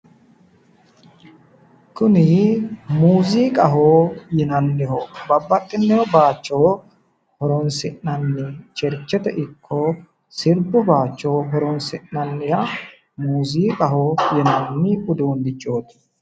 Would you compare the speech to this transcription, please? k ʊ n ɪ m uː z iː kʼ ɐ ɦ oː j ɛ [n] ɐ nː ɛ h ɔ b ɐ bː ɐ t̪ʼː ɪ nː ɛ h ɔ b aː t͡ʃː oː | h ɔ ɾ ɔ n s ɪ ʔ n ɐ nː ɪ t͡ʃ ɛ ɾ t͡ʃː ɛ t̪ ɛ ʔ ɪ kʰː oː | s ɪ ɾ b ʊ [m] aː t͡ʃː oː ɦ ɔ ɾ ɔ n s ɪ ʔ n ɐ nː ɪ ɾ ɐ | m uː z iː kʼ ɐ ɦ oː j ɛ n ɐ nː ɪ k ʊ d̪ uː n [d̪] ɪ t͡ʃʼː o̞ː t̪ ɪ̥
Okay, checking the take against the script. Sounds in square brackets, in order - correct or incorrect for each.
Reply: correct, incorrect: b, correct

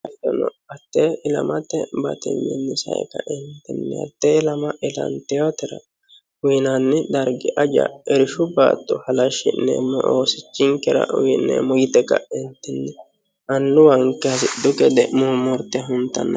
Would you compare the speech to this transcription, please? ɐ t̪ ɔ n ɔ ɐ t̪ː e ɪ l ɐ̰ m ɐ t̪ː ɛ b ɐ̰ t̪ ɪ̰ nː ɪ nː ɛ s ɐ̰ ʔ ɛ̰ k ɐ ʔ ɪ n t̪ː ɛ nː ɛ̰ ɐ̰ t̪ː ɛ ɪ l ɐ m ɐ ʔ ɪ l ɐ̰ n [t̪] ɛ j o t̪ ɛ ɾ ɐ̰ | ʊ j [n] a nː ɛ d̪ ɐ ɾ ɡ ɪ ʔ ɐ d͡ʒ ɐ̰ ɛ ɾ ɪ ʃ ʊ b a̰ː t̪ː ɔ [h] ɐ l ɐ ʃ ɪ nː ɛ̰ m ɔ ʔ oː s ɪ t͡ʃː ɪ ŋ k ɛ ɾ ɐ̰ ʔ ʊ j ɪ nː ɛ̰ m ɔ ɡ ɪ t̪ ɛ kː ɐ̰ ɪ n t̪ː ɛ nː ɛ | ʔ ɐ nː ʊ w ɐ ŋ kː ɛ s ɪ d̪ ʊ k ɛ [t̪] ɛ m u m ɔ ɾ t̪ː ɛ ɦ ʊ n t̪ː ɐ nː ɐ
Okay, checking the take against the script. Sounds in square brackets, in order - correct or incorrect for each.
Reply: correct, correct, correct, incorrect: d̪

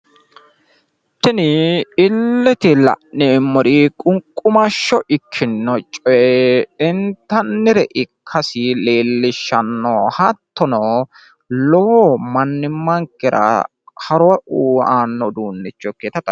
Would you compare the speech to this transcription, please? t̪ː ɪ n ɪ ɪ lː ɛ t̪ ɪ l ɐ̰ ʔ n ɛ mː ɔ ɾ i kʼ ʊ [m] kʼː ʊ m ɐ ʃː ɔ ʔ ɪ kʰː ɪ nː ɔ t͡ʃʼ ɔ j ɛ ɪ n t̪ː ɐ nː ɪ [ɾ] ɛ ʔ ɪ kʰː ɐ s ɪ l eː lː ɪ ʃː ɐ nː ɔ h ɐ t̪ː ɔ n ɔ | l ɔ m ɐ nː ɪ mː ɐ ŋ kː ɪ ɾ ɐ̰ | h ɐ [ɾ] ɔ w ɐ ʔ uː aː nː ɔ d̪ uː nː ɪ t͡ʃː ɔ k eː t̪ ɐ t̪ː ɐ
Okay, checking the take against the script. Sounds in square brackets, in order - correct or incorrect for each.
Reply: incorrect: ŋ, correct, correct

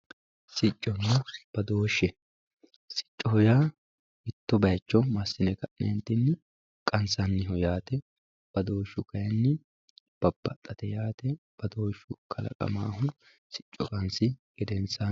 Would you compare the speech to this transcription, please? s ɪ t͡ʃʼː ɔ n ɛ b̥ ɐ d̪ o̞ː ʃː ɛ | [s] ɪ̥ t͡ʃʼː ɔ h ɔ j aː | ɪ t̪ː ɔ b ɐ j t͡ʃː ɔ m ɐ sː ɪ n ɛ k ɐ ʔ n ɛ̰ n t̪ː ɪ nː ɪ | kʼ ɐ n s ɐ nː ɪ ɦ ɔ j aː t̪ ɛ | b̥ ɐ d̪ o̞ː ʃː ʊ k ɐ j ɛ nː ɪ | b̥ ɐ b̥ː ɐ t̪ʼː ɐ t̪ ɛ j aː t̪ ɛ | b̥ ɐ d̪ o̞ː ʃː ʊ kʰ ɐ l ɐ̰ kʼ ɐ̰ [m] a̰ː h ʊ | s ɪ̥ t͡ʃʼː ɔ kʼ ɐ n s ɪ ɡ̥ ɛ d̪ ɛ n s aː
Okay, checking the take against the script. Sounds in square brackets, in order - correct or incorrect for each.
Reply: correct, correct

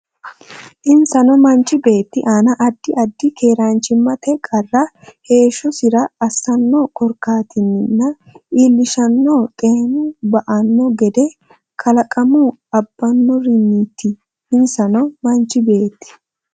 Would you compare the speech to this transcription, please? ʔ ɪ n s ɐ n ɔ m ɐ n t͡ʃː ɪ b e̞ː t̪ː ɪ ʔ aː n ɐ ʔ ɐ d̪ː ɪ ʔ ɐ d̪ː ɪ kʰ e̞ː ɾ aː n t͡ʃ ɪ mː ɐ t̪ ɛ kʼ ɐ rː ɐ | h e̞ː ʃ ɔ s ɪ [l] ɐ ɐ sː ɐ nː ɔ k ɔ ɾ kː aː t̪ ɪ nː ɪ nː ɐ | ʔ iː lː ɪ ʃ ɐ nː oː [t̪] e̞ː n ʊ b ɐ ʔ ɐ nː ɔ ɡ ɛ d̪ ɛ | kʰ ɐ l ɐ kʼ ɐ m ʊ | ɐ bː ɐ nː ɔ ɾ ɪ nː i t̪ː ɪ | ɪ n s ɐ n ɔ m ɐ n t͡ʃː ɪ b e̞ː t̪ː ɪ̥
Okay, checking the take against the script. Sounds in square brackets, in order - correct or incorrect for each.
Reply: incorrect: ɾ, incorrect: t̪ʼ

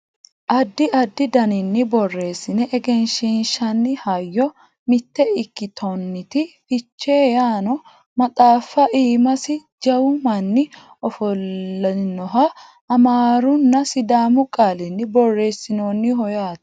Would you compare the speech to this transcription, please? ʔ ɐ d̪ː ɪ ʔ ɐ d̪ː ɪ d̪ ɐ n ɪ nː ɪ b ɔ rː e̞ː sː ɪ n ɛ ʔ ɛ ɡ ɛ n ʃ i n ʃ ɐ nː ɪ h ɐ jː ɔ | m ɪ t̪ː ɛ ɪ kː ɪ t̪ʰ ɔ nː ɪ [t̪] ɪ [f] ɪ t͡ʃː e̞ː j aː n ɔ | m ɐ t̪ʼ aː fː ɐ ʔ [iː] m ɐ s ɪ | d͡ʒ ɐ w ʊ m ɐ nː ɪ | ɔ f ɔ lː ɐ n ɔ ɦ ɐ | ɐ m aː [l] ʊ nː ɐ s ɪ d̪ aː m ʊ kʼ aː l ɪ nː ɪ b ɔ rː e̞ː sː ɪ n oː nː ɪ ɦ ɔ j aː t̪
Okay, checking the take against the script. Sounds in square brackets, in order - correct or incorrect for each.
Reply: correct, correct, correct, incorrect: ɾ

